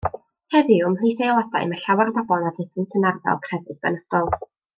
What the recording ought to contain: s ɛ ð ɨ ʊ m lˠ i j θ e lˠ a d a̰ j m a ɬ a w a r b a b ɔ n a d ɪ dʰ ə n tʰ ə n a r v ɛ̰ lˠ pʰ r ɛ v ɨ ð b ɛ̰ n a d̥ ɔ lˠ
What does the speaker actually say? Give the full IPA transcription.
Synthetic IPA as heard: h ɛ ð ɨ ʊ m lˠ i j θ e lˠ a d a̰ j m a ɬ a w a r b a b ɔ n a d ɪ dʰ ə n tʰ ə n a r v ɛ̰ lˠ kʰ r ɛ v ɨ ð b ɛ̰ n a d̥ ɔ lˠ